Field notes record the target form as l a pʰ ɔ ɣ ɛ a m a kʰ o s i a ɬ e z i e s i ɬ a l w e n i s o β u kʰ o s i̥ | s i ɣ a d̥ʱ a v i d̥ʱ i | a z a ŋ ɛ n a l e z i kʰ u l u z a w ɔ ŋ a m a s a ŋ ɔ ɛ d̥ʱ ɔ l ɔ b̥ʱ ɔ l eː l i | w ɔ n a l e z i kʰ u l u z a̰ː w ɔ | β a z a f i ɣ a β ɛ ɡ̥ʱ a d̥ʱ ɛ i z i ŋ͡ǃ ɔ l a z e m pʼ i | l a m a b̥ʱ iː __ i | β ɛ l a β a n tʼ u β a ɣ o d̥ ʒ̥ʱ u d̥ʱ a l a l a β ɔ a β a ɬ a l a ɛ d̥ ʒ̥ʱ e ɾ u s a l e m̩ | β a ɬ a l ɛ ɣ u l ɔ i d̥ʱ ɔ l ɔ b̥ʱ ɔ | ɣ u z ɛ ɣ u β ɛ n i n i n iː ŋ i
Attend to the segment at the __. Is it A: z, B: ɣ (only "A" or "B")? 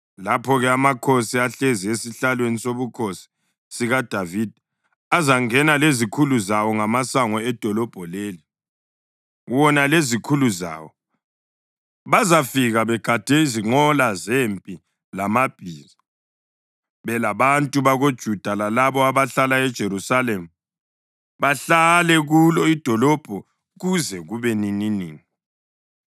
A